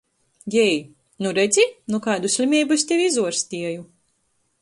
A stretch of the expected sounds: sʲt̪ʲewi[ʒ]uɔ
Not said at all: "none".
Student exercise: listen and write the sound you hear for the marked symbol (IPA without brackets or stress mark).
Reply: z